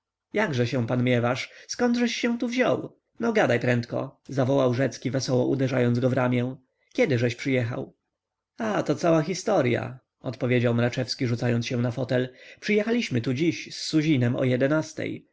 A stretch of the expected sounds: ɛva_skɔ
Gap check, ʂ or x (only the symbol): ʂ